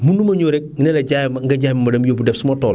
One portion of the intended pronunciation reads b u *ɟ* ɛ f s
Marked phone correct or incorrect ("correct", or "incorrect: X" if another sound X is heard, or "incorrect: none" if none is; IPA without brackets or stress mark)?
incorrect: d